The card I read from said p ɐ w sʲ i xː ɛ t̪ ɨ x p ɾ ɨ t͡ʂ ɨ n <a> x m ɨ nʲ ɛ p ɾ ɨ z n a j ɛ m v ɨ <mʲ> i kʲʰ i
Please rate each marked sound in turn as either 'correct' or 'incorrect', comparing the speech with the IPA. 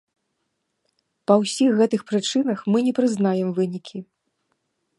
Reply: incorrect: ɐ, incorrect: nʲ

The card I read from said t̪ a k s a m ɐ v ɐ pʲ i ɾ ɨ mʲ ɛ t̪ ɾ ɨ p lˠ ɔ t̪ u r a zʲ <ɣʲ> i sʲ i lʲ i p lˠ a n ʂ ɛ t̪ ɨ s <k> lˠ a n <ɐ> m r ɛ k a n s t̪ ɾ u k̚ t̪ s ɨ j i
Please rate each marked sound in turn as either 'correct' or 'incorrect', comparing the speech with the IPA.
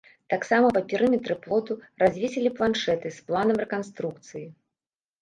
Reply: incorrect: vʲ, incorrect: p, correct

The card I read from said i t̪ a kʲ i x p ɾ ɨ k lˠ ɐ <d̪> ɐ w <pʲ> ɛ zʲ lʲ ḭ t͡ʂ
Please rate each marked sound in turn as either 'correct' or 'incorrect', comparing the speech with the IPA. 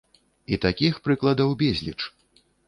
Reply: correct, incorrect: bʲ

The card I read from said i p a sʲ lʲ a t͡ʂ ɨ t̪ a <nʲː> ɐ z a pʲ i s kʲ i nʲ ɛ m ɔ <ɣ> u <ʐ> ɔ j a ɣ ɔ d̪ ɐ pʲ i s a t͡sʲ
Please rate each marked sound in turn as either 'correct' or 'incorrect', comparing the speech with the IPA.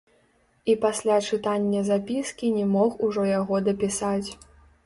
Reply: correct, incorrect: x, correct

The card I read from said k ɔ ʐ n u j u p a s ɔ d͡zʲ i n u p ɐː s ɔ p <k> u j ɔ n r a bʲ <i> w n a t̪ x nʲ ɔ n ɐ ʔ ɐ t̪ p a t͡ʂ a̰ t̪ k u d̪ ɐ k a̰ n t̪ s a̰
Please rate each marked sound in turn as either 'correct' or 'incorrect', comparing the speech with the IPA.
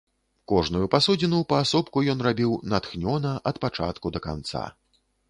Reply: correct, correct

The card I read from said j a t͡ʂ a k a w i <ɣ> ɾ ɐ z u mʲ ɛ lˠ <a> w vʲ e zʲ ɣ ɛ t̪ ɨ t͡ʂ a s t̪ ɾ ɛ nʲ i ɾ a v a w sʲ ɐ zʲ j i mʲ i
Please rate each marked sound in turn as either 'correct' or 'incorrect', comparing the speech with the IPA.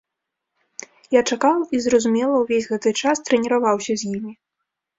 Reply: incorrect: z, incorrect: ɐ

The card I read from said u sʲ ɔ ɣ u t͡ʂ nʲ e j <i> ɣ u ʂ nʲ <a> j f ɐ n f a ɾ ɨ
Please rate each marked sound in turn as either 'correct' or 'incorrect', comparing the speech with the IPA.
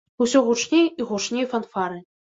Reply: correct, incorrect: e

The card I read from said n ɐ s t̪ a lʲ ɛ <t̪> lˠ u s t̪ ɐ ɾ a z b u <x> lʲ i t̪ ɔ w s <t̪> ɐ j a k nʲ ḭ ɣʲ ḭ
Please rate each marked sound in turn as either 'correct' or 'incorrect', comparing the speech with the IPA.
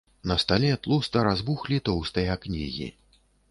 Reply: correct, correct, correct

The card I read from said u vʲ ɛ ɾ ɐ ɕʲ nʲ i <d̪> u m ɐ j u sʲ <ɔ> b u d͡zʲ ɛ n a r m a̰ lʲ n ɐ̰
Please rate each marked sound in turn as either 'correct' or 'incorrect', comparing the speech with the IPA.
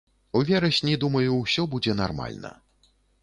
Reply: correct, correct

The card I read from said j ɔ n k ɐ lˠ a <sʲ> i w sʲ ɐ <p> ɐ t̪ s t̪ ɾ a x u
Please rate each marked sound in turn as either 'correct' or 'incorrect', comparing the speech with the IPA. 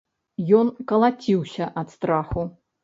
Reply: incorrect: t͡sʲ, incorrect: ʔ

